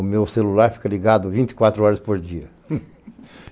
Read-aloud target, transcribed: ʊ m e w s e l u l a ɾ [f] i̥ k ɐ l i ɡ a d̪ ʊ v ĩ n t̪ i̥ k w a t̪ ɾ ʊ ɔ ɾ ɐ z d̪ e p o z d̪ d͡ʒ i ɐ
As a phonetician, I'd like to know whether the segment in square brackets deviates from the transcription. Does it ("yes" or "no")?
no